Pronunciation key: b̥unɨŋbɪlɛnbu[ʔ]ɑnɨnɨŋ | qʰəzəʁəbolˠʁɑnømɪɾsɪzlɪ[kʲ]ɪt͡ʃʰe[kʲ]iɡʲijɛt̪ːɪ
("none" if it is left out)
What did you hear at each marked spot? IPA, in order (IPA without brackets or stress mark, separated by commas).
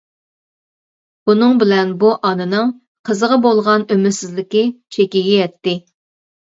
ʔ, kʲ, kʲ